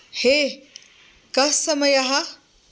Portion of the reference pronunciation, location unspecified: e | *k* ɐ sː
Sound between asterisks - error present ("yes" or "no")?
no